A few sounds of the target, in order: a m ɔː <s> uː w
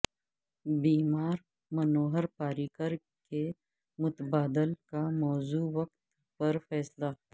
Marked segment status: incorrect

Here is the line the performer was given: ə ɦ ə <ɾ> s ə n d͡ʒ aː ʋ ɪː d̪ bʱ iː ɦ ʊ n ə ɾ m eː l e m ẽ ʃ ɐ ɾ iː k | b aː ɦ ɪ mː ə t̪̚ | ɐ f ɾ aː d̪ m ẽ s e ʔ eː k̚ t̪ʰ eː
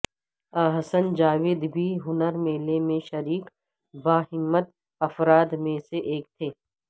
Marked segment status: incorrect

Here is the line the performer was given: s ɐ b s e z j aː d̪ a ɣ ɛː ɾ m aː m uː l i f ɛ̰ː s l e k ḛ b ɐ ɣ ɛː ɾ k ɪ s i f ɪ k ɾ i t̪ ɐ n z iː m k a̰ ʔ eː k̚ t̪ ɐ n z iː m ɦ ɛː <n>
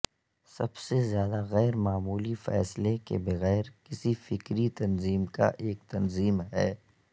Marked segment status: incorrect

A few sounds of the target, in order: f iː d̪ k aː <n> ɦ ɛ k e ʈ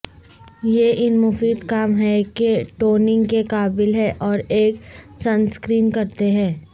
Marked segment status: incorrect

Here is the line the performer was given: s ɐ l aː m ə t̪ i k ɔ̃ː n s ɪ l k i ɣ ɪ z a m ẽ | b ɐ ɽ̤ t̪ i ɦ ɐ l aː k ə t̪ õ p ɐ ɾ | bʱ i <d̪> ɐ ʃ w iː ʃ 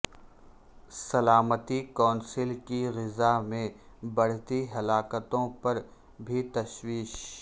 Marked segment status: incorrect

